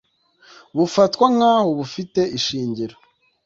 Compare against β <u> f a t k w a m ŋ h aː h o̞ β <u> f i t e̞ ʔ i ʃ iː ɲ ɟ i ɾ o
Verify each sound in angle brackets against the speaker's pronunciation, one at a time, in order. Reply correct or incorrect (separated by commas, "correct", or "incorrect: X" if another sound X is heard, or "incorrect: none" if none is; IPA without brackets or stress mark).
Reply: correct, correct